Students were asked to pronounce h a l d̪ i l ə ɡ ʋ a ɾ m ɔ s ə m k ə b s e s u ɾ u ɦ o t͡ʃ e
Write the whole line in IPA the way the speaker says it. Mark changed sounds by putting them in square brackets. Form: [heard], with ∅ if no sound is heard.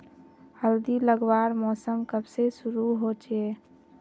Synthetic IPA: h [ə] l d̪ i l ə ɡ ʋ a ɾ m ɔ s ə m k ə b s e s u ɾ u ɦ o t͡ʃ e